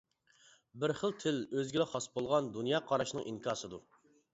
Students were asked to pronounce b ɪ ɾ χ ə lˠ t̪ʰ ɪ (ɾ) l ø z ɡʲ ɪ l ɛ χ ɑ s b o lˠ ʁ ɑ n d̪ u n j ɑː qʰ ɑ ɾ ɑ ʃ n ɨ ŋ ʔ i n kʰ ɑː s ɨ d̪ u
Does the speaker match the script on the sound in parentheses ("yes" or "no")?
no